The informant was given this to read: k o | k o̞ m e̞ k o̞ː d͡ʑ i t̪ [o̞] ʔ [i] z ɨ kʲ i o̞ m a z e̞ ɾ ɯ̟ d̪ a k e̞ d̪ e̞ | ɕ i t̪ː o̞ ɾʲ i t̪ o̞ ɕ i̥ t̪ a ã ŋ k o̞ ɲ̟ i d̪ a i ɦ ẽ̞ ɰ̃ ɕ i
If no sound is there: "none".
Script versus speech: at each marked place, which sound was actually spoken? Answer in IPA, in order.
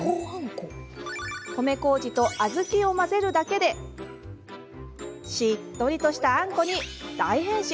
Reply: o̞, a

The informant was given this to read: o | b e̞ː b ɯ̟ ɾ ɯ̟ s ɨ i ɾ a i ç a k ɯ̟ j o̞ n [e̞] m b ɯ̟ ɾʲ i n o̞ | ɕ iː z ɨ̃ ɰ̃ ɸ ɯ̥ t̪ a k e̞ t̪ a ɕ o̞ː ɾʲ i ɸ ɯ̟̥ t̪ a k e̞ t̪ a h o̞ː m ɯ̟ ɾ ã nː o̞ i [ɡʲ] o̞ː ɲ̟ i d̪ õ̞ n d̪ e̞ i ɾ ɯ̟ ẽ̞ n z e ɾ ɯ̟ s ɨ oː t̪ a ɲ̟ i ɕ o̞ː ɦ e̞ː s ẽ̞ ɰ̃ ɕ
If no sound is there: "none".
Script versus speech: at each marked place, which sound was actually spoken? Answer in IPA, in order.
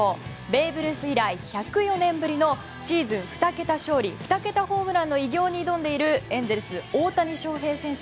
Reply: ẽ̞, ɡʲ

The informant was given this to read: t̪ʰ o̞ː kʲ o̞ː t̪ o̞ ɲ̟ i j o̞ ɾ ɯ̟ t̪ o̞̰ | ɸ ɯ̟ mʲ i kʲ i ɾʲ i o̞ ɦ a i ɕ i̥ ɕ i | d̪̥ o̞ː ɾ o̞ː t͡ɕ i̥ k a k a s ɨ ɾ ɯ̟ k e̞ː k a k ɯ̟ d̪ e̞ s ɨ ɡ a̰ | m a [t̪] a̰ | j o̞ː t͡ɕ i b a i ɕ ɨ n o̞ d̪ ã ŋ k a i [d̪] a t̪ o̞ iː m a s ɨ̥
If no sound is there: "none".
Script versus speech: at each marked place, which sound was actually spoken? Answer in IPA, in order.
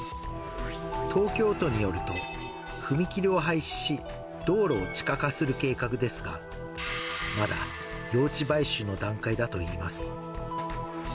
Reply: d̪, d̪

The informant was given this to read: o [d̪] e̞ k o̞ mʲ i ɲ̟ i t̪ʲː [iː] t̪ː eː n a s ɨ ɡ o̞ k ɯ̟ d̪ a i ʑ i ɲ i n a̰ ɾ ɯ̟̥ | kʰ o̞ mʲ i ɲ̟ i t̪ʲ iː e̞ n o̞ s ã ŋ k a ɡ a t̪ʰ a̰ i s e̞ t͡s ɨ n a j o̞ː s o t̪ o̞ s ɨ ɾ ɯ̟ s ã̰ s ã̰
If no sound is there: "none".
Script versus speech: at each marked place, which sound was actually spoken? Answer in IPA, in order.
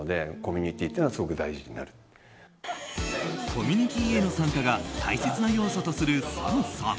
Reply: d̪, iː

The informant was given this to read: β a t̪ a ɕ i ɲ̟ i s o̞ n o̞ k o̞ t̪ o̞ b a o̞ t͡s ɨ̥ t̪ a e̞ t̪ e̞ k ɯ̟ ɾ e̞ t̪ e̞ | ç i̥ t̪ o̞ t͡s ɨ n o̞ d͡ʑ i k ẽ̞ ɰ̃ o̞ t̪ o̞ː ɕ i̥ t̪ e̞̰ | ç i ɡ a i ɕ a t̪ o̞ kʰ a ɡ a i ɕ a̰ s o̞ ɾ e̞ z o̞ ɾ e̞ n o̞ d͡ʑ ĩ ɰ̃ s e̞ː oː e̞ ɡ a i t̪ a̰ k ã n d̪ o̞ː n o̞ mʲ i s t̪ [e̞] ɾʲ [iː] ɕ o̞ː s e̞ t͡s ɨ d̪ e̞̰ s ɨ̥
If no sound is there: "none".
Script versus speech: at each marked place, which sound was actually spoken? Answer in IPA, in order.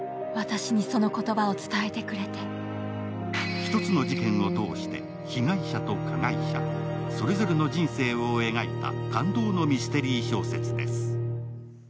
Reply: e̞, iː

